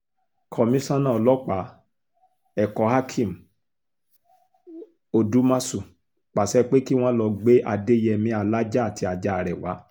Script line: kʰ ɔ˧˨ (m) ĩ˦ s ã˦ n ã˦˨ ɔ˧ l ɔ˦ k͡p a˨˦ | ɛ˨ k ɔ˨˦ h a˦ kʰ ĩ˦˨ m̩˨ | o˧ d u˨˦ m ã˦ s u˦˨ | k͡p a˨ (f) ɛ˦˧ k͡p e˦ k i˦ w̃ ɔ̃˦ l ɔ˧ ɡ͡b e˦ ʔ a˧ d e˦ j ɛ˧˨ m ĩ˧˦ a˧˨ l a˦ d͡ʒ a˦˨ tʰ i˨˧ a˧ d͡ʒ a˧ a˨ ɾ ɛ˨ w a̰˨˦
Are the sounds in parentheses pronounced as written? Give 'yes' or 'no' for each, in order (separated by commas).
yes, no